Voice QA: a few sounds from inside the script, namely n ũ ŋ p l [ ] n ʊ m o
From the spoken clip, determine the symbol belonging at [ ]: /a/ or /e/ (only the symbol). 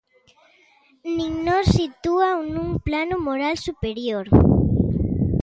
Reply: a